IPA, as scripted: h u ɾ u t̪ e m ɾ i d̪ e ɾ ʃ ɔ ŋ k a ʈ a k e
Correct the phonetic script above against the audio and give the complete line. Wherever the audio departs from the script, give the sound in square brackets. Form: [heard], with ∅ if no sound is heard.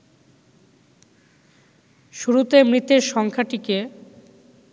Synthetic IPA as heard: [ʃ] u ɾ u t̪ e m ɾ i [t̪] e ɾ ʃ ɔ ŋ [kʰ] a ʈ [i] k e

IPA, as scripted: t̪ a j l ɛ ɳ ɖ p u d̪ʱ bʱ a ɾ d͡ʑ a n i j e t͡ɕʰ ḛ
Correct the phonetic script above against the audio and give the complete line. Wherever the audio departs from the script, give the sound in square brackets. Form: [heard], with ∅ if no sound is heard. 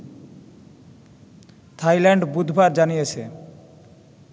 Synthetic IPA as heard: [t̪ʰ] a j l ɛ ɳ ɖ [b] u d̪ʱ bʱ a ɾ d͡ʑ a n i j e t͡ɕʰ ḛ

